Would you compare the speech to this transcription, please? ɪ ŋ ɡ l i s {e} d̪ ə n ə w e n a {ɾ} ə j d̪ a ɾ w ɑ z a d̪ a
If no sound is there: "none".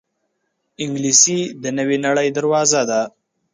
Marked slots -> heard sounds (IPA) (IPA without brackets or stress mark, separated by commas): i, ɽ